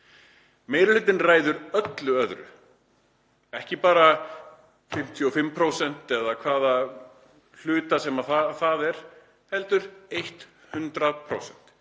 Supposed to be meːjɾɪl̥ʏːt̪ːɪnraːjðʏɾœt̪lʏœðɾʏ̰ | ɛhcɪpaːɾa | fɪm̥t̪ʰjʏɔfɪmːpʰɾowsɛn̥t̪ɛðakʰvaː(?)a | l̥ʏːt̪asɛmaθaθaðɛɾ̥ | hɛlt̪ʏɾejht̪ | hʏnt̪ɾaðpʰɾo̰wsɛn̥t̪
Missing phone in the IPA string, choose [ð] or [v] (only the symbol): ð